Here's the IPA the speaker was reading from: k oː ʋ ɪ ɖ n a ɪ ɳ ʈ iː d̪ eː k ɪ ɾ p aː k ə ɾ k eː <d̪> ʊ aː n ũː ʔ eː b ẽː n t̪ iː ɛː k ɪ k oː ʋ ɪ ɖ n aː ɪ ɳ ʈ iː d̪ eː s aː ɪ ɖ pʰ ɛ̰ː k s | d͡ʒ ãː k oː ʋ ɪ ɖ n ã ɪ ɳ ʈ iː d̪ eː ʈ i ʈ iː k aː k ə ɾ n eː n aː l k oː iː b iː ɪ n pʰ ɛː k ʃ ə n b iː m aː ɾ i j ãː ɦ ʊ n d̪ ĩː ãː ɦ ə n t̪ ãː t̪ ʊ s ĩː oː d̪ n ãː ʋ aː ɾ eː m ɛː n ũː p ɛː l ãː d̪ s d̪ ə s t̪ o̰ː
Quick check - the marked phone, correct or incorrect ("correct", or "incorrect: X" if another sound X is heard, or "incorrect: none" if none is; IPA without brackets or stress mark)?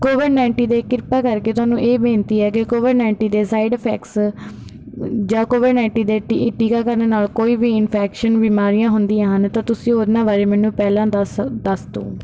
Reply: incorrect: t̪